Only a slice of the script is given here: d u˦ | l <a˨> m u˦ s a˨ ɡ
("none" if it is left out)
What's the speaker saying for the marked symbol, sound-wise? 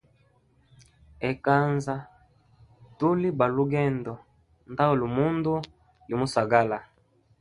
i˨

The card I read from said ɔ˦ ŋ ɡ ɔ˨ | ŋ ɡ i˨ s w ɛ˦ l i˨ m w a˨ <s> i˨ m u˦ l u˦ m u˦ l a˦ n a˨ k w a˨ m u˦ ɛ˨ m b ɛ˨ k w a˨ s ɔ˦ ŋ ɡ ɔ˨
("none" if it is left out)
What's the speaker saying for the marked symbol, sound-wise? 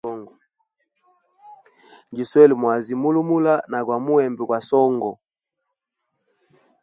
z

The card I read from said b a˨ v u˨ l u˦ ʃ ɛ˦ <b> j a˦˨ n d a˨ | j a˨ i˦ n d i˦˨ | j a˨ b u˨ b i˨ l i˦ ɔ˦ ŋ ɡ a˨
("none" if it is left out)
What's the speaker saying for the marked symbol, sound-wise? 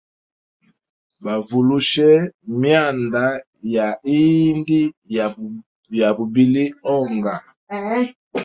m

